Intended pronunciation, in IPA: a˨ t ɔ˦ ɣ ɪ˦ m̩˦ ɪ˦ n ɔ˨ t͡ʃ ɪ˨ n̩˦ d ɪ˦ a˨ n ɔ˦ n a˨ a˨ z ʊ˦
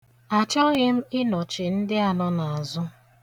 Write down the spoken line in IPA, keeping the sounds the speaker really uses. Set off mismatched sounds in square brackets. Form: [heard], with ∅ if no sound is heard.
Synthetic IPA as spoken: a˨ [t͡ʃ] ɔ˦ ɣ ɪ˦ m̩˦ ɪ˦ n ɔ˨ t͡ʃ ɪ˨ n̩˦ d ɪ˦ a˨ n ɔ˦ n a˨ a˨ z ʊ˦